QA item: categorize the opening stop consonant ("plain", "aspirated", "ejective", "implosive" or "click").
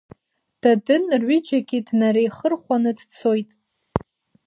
plain